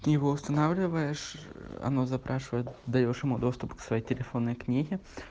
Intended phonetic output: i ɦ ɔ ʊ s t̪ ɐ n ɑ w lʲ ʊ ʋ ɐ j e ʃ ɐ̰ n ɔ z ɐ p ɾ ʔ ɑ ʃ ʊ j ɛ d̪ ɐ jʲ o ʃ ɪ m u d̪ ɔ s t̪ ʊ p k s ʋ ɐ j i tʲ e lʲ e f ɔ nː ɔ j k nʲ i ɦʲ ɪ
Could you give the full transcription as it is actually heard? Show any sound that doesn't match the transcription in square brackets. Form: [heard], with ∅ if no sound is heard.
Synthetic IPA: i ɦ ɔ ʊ s t̪ ɐ n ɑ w lʲ ʊ ʋ ɐ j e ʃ ɐ̰ n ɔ z ɐ p ɾ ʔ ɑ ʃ ʊ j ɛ d̪ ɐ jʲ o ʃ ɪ m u d̪ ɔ s t̪ ʊ p k s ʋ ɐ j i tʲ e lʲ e f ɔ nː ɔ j k nʲ i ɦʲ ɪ